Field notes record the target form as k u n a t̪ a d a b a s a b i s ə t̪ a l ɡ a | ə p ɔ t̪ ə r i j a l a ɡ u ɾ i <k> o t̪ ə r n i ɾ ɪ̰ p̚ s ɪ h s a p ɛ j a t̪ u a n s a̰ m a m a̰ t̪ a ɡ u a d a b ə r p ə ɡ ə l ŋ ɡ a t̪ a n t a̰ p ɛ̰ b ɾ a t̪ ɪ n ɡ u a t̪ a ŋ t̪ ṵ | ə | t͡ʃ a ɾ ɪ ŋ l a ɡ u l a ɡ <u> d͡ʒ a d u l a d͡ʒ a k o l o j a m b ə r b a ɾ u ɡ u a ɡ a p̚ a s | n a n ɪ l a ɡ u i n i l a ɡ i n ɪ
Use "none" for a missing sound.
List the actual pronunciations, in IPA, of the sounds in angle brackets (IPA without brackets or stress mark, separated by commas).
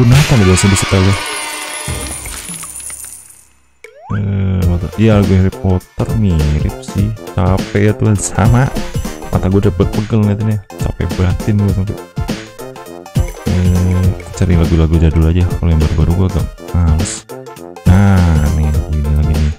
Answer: p, u